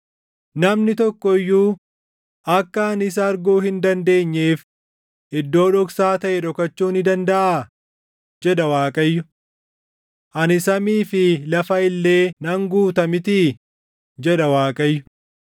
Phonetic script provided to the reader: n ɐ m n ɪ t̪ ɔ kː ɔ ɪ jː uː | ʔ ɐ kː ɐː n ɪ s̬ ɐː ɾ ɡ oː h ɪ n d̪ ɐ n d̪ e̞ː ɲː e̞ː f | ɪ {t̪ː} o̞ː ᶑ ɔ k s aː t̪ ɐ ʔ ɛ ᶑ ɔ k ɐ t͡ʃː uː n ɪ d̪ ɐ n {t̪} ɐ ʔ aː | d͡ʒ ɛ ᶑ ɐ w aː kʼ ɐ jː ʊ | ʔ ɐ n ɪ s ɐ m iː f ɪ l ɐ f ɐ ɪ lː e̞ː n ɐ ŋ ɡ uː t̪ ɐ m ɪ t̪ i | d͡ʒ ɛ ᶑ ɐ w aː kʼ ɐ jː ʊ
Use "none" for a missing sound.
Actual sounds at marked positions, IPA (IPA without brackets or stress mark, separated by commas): d̪ː, d̪